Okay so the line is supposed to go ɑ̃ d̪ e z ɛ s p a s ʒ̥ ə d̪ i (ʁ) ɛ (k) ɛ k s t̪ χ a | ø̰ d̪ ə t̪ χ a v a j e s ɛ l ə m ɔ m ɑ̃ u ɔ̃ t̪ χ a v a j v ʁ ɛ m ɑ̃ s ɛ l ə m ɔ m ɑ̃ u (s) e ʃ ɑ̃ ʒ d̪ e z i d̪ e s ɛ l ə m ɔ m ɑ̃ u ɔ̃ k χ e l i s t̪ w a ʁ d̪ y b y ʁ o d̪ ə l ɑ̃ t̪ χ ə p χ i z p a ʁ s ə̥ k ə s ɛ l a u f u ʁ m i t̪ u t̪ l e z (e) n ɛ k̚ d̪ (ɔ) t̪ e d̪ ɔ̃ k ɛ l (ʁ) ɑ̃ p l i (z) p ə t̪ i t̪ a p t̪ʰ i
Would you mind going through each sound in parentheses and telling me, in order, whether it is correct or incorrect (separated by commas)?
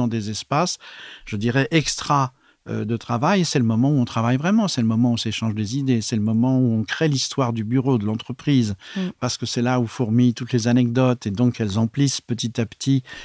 correct, incorrect, correct, incorrect, correct, incorrect, incorrect